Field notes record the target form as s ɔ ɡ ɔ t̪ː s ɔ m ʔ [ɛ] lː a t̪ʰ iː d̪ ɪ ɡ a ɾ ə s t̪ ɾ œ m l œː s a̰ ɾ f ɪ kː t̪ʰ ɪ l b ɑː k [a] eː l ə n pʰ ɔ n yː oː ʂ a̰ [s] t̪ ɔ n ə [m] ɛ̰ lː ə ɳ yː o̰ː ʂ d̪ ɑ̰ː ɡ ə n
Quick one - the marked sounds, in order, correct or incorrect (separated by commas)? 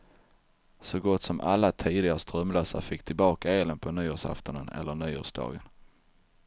incorrect, correct, incorrect, incorrect